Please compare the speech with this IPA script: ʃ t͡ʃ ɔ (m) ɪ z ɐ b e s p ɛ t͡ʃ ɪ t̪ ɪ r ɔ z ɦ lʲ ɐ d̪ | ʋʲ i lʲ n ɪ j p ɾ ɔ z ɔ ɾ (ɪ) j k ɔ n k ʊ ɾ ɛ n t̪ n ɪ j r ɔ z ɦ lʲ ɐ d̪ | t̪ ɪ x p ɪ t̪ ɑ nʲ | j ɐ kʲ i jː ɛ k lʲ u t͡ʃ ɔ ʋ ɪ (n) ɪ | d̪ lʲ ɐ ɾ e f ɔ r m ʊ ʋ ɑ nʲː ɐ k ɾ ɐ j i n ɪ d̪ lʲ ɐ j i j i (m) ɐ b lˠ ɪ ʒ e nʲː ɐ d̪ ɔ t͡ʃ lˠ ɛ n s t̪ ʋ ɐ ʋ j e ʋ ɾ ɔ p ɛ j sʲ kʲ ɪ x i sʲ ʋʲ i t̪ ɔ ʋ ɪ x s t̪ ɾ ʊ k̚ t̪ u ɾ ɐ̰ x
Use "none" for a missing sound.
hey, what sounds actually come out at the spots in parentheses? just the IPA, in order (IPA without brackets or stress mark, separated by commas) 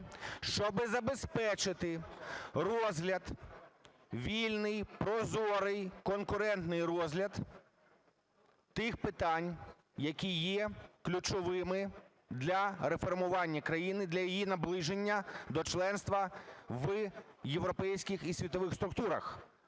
b, ɪ, m, n